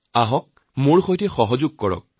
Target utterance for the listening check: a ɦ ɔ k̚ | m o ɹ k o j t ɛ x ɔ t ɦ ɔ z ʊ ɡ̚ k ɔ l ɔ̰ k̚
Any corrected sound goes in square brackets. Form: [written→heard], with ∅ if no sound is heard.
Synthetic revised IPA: a ɦ ɔ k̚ | m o ɹ [k→x] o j t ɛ x ɔ [t→∅] ɦ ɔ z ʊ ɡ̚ k ɔ [l→ɹ] ɔ̰ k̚